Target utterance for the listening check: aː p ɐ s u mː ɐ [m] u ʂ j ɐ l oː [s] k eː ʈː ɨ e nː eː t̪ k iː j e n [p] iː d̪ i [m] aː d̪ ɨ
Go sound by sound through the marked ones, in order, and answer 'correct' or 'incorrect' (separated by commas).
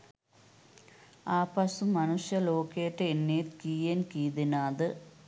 incorrect, incorrect, incorrect, incorrect